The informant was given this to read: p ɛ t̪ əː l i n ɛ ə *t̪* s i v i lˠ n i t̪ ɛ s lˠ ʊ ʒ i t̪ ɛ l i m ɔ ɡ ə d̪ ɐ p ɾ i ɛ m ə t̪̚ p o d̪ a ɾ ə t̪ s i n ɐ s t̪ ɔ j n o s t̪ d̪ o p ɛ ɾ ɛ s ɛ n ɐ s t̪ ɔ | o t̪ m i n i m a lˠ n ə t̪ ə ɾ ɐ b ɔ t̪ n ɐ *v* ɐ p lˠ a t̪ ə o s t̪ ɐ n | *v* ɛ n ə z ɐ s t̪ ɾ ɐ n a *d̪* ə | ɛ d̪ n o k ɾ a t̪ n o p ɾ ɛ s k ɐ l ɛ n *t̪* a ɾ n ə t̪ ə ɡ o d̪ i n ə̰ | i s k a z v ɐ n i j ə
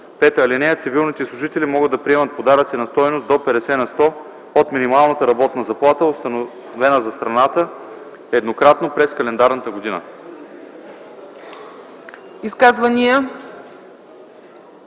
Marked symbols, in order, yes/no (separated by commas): yes, no, yes, no, no